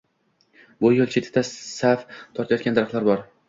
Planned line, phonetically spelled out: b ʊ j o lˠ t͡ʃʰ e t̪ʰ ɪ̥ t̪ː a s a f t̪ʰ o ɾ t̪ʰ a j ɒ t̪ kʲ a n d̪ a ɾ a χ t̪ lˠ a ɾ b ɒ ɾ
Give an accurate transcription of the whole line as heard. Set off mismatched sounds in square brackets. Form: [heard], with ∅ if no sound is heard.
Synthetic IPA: b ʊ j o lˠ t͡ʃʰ e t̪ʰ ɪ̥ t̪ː a s a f t̪ʰ [ɒ] ɾ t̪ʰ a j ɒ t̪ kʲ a n d̪ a ɾ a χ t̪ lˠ a ɾ b ɒ ɾ